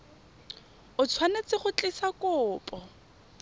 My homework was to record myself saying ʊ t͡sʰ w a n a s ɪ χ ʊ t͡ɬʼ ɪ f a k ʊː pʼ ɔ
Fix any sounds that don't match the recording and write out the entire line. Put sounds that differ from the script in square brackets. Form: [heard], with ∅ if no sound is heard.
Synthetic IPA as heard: ʊ t͡sʰ w a n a [t͡s] ɪ χ ʊ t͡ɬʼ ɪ [s] a k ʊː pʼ ɔ